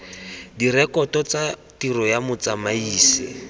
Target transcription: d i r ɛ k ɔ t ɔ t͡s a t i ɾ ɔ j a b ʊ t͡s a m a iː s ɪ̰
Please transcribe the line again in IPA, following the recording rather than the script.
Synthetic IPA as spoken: d i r ɛ k ɔ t ɔ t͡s a t i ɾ ɔ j a m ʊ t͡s a m a iː s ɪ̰